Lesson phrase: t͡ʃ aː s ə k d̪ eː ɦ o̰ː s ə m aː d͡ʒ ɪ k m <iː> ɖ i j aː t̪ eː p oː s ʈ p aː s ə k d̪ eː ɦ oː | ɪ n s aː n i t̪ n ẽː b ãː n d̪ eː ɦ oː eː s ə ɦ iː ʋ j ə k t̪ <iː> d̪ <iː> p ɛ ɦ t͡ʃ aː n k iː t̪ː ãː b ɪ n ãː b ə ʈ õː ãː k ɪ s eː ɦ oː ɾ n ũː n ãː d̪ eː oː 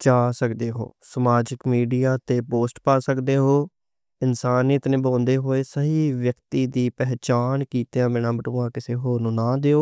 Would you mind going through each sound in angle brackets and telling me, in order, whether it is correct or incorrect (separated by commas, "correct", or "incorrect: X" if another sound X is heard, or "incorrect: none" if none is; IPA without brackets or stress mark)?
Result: correct, correct, correct